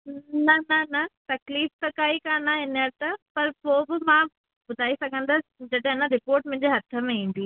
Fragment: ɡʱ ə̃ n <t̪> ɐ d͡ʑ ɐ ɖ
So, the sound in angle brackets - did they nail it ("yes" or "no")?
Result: no